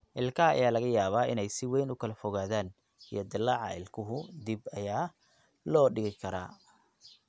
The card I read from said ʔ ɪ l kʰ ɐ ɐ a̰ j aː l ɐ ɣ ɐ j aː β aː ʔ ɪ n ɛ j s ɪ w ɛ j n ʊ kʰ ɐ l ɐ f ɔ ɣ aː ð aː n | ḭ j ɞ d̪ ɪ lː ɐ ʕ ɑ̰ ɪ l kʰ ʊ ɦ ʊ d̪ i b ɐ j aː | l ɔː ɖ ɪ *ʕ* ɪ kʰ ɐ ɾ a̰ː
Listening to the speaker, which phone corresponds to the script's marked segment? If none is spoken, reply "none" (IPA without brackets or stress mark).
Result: ɣ